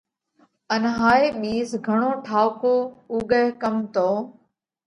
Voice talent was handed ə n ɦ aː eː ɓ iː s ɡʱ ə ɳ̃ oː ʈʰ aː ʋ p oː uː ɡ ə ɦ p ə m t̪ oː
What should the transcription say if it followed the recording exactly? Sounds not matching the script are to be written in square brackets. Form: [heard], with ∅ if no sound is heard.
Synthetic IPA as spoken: ə n ɦ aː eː ɓ iː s ɡʱ ə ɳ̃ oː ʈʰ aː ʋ [k] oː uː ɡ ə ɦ [k] ə m t̪ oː